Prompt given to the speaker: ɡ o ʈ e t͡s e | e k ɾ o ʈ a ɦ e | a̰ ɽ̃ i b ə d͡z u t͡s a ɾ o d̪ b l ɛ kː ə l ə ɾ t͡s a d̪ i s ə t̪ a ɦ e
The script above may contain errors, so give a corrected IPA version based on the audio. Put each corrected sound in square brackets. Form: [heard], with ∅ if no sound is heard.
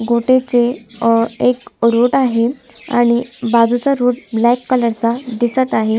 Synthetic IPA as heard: ɡ o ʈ e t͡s e | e k ɾ o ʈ a ɦ e | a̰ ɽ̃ i b [a] d͡z u t͡s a ɾ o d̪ b l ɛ kː ə l ə ɾ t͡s a d̪ i s ə t̪ a ɦ e